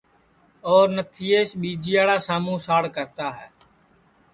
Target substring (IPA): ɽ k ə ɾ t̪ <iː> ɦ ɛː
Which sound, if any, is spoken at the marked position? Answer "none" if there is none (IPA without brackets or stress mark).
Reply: aː